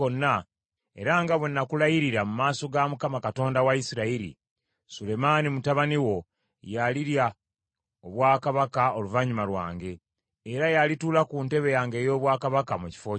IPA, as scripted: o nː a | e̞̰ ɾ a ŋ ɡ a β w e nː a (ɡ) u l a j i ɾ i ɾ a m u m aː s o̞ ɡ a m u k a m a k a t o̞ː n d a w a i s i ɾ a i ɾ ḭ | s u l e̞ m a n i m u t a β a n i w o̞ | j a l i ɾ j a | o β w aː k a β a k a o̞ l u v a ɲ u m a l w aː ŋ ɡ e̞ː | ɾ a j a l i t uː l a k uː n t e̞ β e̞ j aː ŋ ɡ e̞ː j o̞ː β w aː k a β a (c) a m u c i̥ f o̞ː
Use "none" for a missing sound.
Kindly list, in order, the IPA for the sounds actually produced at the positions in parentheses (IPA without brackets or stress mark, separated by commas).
k, k